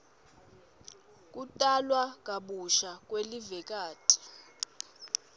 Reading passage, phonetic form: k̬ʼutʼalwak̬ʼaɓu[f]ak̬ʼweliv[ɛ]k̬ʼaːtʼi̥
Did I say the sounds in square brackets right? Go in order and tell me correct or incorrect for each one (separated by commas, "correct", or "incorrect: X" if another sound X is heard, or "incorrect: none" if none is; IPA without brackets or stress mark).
incorrect: ʃ, correct